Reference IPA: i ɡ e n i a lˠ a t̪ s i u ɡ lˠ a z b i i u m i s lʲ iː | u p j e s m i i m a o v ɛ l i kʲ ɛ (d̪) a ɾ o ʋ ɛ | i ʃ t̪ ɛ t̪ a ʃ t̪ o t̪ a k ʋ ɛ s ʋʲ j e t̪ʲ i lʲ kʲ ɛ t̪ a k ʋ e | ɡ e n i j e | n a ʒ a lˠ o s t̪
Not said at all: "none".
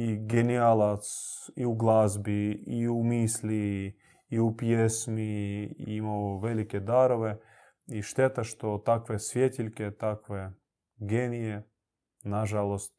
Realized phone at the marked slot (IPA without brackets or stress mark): d̪